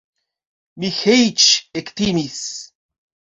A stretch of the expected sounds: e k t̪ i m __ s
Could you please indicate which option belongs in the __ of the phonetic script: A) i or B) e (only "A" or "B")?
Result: A